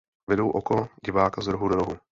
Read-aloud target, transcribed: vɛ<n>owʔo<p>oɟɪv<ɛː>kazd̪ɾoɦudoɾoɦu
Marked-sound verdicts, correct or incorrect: incorrect: d, incorrect: k, incorrect: aː

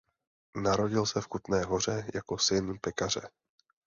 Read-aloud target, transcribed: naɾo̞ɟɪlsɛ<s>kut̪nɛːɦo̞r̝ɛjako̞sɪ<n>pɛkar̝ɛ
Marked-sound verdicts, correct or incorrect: incorrect: f, correct

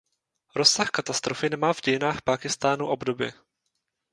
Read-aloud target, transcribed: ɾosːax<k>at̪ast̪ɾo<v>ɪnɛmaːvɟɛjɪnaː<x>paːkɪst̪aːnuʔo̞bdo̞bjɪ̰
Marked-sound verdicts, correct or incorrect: correct, incorrect: f, correct

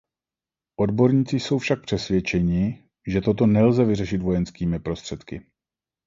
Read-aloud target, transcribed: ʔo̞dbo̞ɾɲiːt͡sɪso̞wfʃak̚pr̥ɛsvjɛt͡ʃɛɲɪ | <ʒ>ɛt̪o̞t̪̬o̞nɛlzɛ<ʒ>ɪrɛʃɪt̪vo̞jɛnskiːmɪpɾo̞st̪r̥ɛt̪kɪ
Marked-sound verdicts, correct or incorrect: correct, incorrect: v

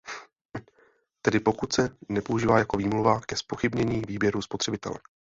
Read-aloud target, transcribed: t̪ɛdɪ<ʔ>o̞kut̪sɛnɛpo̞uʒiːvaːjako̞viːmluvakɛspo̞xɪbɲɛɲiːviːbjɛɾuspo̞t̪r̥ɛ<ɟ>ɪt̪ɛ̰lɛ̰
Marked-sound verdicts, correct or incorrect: incorrect: p, incorrect: b

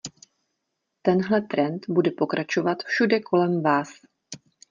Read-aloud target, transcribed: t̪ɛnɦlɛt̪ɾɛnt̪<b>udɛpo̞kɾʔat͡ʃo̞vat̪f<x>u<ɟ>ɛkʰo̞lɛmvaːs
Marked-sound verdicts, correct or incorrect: correct, incorrect: ʃ, incorrect: d

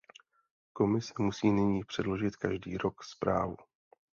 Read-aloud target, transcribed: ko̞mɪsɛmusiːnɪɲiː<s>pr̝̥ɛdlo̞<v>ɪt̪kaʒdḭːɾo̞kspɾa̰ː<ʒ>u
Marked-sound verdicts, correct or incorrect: incorrect: none, incorrect: ʒ, incorrect: v

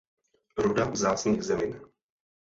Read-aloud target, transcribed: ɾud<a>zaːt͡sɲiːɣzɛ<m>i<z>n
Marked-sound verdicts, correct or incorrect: correct, correct, incorrect: none

